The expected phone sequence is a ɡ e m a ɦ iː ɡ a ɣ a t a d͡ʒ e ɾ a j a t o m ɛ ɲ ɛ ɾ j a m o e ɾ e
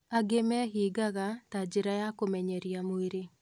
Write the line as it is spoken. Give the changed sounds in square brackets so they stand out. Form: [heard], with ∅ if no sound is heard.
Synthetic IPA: a ɡ e m [ɛ] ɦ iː ɡ a ɣ a t a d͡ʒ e ɾ a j a [k] o m ɛ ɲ ɛ ɾ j a m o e ɾ e